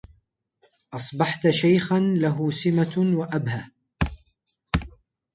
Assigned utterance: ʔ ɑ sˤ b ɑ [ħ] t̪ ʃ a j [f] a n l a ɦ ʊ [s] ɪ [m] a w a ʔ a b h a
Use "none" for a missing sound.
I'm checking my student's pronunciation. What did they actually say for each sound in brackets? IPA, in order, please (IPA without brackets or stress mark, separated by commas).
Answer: ħ, x, s, m